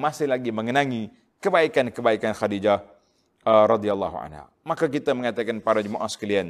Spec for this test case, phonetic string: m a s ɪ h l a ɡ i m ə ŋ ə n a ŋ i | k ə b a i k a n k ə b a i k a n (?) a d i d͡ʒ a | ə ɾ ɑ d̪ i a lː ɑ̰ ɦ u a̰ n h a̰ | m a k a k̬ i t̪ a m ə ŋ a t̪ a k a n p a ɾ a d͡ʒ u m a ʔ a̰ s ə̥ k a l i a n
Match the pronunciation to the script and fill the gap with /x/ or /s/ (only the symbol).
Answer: x